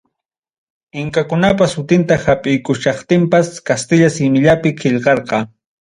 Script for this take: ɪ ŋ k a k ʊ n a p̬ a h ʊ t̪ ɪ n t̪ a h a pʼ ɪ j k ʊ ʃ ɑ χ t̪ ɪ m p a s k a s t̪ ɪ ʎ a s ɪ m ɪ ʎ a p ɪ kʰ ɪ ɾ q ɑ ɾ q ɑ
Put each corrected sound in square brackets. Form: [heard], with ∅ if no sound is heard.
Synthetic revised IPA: ɪ ŋ k a k ʊ n a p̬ a [s] ʊ t̪ ɪ n t̪ a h a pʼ ɪ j k ʊ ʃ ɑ χ t̪ ɪ m p a s k a s t̪ ɪ ʎ a s ɪ m ɪ ʎ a p ɪ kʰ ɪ [ʎ] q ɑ ɾ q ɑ

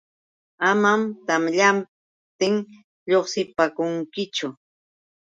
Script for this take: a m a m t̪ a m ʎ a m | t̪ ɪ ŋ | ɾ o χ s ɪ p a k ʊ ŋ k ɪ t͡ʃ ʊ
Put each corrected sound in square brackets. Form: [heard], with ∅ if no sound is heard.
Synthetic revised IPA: a m a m t̪ a m ʎ a m | t̪ ɪ ŋ | [ʎ] o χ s ɪ p a k ʊ ŋ k ɪ t͡ʃ ʊ

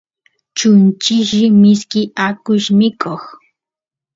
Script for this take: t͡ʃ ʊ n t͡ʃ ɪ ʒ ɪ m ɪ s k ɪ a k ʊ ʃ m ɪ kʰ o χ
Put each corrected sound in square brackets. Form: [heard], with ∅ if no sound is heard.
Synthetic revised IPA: t͡ʃ ʊ n t͡ʃ ɪ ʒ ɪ m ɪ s k ɪ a k ʊ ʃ m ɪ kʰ o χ

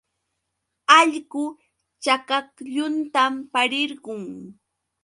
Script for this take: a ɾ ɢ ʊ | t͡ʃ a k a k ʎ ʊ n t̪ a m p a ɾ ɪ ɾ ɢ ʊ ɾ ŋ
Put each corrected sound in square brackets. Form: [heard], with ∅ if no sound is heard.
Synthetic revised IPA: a [ʎ] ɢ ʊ | t͡ʃ a k a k ʎ ʊ n t̪ a m p a ɾ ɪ ɾ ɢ ʊ [∅] ŋ

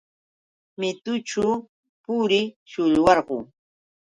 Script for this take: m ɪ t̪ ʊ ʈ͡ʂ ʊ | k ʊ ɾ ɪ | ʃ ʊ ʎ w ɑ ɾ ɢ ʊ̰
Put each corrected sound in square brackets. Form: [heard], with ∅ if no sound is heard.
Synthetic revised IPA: m ɪ t̪ ʊ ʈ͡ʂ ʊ | [p] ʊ ɾ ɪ | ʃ ʊ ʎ w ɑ ɾ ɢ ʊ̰

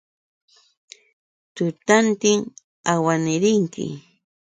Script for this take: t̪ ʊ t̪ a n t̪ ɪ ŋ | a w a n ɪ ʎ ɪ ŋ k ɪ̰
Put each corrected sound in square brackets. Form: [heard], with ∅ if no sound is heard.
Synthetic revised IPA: t̪ ʊ t̪ a n t̪ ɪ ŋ | a w a n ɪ [ɾ] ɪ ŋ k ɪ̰

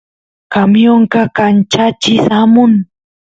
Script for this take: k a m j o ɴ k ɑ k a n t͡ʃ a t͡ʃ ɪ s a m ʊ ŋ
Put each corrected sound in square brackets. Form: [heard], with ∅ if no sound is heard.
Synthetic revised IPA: k a m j o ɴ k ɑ k a n t͡ʃ a t͡ʃ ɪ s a m ʊ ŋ

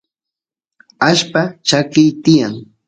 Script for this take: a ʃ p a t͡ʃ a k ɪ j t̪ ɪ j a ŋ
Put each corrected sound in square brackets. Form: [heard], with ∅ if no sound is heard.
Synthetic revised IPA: a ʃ p a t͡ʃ a k ɪ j t̪ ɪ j a ŋ

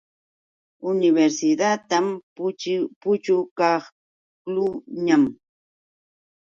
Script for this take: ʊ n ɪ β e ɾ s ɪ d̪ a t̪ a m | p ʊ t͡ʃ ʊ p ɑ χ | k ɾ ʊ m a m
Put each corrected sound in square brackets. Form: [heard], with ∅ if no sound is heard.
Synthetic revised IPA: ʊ n ɪ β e ɾ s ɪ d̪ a t̪ a m | p ʊ t͡ʃ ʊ [k] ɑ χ | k [l] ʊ [ɲ] a m

